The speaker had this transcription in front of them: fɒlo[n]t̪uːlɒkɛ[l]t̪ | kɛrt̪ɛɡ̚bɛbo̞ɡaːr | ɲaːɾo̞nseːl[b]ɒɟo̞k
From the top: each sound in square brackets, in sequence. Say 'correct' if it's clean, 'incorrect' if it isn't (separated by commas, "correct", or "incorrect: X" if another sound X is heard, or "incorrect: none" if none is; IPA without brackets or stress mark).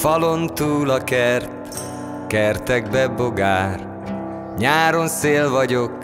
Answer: correct, incorrect: r, incorrect: v